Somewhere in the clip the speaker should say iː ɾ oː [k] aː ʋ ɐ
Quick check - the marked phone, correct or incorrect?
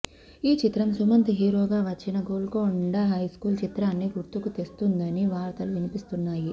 incorrect